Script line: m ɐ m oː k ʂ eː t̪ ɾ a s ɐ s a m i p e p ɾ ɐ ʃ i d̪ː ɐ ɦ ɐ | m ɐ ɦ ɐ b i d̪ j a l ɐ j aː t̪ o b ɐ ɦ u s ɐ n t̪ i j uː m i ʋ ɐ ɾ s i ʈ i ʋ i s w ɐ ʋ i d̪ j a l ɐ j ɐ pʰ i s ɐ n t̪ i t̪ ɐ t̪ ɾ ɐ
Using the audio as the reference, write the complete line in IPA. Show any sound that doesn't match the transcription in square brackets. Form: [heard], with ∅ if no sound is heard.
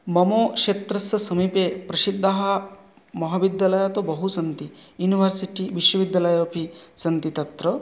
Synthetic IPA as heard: m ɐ m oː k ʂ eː t̪ ɾ [ɐ] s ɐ s [ɐ] m i p e p ɾ ɐ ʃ i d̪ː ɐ ɦ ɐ | m ɐ ɦ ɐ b i d̪ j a l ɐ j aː t̪ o b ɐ ɦ u s ɐ n t̪ i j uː [n] i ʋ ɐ ɾ s i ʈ i ʋ i [ʃ] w ɐ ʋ i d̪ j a l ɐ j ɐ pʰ i s ɐ n t̪ i t̪ ɐ t̪ ɾ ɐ